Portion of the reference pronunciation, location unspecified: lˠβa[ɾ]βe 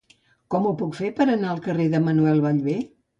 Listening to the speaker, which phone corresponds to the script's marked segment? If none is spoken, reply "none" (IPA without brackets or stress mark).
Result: ʎ